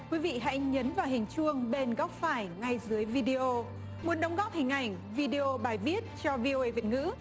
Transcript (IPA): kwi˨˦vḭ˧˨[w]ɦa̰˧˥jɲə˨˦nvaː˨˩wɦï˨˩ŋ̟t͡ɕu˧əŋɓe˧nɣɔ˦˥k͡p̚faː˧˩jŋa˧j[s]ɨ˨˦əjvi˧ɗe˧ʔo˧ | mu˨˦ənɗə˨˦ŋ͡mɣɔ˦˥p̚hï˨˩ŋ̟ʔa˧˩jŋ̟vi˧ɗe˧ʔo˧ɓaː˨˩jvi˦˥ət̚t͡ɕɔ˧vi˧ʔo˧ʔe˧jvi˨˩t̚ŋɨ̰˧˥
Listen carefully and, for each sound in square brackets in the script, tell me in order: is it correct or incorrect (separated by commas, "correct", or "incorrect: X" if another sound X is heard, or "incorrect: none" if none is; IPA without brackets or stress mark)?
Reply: incorrect: none, incorrect: z